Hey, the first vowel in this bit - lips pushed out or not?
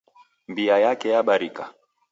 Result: no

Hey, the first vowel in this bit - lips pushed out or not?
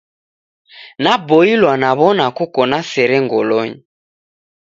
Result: no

